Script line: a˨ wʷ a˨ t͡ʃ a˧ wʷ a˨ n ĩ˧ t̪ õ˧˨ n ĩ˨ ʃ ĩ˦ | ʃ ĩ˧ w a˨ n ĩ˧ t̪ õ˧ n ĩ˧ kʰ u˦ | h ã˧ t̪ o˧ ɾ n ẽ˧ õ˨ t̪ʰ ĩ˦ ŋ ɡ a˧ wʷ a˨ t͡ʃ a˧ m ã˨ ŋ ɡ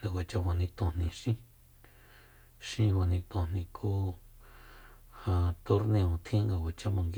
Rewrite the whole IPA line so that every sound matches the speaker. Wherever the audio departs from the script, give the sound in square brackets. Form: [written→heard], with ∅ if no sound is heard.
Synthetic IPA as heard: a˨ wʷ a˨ t͡ʃ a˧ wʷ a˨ n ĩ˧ t̪ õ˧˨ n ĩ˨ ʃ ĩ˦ | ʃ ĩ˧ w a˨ n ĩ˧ t̪ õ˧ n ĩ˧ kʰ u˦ | h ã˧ t̪ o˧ ɾ n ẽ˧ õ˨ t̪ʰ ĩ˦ ŋ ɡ a˧ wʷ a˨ t͡ʃ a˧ m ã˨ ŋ ɡ